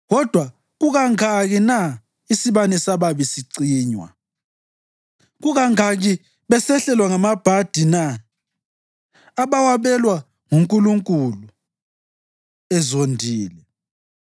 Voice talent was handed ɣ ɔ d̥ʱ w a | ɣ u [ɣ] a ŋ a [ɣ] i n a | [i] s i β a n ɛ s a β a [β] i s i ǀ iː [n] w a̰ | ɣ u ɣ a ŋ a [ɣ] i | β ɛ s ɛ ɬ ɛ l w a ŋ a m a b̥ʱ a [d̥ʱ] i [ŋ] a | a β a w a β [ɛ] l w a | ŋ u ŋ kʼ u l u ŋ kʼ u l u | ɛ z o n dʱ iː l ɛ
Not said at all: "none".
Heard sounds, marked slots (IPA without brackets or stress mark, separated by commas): ɣ, ɣ, i, β, ɲ, ɣ, d̥ʱ, n, ɛ